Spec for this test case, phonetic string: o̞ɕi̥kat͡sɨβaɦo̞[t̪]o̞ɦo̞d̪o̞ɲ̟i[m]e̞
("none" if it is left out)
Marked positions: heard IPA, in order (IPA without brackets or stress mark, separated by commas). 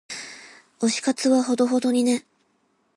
d̪, n